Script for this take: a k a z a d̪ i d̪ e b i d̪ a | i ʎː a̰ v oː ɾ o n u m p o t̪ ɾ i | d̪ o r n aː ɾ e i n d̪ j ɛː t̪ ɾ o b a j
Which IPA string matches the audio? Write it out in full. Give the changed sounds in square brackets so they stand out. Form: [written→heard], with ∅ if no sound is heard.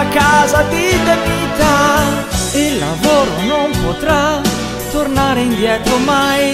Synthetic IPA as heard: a k a z a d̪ i d̪ e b i [d̪→t̪] a | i [ʎː→lː] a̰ v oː ɾ o n [u→o] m p o t̪ ɾ [i→a] | [d̪→t̪] o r n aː ɾ e i n d̪ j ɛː t̪ ɾ o [b→m] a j

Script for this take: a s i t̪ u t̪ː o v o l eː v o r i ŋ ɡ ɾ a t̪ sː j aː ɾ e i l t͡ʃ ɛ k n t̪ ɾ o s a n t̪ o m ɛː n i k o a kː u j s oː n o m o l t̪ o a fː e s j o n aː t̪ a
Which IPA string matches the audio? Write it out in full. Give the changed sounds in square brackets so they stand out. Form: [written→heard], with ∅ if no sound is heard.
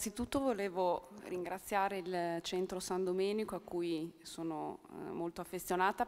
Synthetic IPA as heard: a s i t̪ u t̪ː o v o l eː v o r i ŋ ɡ ɾ a t̪ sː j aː ɾ e i l t͡ʃ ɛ [k→∅] n t̪ ɾ o s a n [t̪→d̪] o m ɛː n i k o a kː u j s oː n o m o l t̪ o a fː e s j o n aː t̪ a

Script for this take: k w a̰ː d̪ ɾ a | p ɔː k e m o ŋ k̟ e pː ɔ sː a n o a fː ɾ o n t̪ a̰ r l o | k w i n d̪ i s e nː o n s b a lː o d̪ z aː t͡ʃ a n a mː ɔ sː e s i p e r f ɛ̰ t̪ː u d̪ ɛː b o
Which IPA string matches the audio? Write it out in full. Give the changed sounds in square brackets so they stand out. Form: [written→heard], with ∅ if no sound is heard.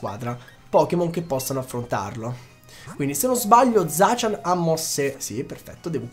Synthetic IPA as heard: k w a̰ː d̪ ɾ a | p ɔː k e m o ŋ k̟ e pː ɔ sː a n o a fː ɾ o n t̪ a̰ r l o | k w i n d̪ i s e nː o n [s→z] b a [lː→ʎː] o d̪ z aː t͡ʃ a n a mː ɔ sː e s i p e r f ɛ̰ t̪ː [u→o] d̪ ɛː [b→v] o

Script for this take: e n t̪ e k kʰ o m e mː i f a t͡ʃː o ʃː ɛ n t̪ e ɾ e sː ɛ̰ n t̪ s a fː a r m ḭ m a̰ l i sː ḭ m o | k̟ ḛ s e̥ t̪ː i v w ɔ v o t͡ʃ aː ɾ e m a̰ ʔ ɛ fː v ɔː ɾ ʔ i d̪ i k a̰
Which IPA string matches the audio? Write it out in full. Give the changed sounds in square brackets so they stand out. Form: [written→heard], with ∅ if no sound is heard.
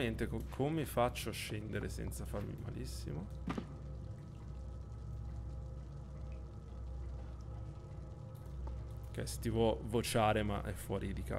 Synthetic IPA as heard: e n t̪ e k kʰ o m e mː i f a t͡ʃː o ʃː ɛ n [t̪→d̪] e ɾ e [sː→s] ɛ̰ n t̪ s a [fː→f] a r m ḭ m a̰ l i sː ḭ m o | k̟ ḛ s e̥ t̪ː i v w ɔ v o t͡ʃ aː ɾ e m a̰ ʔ ɛ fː [v→w] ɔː ɾ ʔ i d̪ i k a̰

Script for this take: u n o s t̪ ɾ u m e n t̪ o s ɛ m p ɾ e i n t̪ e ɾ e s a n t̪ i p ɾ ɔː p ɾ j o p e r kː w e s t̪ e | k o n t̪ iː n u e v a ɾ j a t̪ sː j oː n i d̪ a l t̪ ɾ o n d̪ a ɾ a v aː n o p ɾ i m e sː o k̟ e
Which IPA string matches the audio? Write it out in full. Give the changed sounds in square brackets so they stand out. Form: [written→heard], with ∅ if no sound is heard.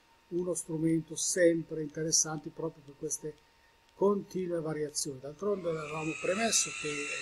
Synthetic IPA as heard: u n o s t̪ ɾ u m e n t̪ o s ɛ m p ɾ e i n t̪ e ɾ e [s→sː] a n t̪ i p ɾ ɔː p ɾ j o p e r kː w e s t̪ e | k o n t̪ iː n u e v a ɾ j a t̪ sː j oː n i d̪ a l t̪ ɾ o n d̪ [a→e] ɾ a v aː [n→m] o p ɾ [i→e] m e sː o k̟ e

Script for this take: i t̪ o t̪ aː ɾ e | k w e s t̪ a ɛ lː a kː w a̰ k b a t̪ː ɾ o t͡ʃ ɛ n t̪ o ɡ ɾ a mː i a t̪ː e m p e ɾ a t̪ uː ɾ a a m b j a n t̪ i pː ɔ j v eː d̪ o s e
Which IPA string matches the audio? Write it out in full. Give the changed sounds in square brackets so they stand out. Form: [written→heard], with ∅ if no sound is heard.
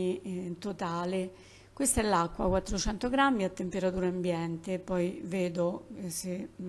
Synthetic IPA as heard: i t̪ o t̪ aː [ɾ→l] e | k w e s t̪ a ɛ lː a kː w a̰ k [b→w] a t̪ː ɾ o t͡ʃ ɛ n t̪ o ɡ ɾ a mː i a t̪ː e m p e ɾ a t̪ uː ɾ a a m b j [a→ɛ] n t̪ [i→e] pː ɔ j v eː d̪ o s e

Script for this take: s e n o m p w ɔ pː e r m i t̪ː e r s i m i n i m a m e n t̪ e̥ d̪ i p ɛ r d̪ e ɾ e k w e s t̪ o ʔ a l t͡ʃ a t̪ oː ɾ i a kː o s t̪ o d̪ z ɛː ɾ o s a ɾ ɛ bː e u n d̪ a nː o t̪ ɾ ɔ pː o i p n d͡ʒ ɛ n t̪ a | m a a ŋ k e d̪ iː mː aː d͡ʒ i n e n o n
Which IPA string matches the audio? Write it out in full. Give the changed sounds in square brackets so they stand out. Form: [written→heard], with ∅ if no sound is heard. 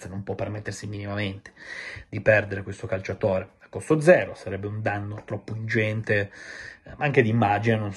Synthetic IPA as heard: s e n o m p w ɔ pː e r m [i→e] t̪ː e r s i m i n i m a m e n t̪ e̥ d̪ i p ɛ r d̪ e ɾ e k w e s t̪ o [ʔ→k] a l t͡ʃ a t̪ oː ɾ [i→e] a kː o s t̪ o d̪ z ɛː ɾ o s a ɾ ɛ bː e u n d̪ a nː o t̪ ɾ ɔ pː o i [p→∅] n d͡ʒ ɛ n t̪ [a→e] | m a a ŋ k e d̪ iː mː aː d͡ʒ i n e n o n

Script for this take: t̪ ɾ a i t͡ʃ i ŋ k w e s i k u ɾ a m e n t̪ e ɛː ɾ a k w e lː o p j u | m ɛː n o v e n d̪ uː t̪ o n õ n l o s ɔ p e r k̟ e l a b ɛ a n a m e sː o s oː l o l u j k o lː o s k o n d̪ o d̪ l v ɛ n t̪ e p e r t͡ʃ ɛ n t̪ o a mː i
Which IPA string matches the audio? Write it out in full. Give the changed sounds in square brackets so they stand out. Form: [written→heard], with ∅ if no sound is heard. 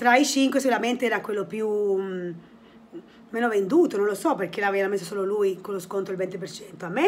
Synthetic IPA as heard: t̪ ɾ a i t͡ʃ i ŋ k w e s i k u ɾ a m e n t̪ e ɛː ɾ a k w e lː o p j u | m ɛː n o v e n d̪ uː t̪ o n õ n l o s ɔ p e r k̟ e l a [b→v] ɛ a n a m e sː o s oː l o l u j k o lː o s k o n [d̪→t̪] o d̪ l v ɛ n t̪ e p e r t͡ʃ ɛ n t̪ o a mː [i→e]

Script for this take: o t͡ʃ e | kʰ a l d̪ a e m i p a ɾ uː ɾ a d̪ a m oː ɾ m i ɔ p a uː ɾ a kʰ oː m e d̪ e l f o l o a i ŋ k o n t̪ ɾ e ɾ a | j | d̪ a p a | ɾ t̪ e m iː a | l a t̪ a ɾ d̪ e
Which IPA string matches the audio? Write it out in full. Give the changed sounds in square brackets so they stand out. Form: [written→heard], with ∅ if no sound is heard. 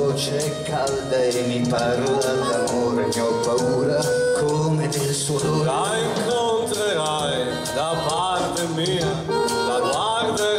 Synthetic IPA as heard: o t͡ʃ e | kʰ a l d̪ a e m i p a ɾ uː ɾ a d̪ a m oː ɾ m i ɔ p a uː ɾ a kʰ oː m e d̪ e l [f→s] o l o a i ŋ k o n t̪ ɾ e ɾ a | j | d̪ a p a | ɾ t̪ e m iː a | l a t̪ a ɾ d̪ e

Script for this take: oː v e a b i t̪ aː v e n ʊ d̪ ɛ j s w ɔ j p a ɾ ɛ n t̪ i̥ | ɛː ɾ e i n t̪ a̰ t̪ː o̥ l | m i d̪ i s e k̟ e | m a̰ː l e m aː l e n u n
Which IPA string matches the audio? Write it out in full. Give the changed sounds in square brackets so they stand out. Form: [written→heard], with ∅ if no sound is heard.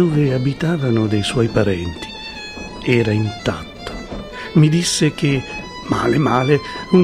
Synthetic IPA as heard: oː v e a b i t̪ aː v [e→a] n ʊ d̪ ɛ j s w ɔ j p a ɾ ɛ n t̪ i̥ | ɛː ɾ [e→a] i n t̪ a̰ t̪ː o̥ [l→∅] | m i d̪ i [s→sː] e k̟ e | m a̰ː l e m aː l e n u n

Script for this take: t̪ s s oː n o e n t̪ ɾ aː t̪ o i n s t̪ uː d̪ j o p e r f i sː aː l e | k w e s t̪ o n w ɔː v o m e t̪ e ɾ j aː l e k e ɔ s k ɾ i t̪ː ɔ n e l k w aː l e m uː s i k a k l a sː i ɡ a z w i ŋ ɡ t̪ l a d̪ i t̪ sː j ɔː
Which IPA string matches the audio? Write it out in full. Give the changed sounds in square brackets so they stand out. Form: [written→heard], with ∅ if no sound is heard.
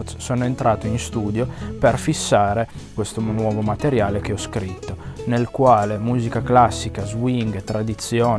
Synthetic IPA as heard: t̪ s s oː n o e n t̪ ɾ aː t̪ o i n s t̪ uː d̪ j o p e r f i sː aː [l→ɾ] e | k w e s t̪ o n w ɔː v o m [e→a] t̪ e ɾ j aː l e k e ɔ s k ɾ i t̪ː [ɔ→o] n e l k w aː l e m uː [s→z] i k a k l a sː i [ɡ→k] a z w i ŋ ɡ t̪ [l→ɾ] a d̪ i t̪ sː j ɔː

